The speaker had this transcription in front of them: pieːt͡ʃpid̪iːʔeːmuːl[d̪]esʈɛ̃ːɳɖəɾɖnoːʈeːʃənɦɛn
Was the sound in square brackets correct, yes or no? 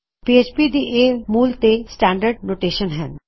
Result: no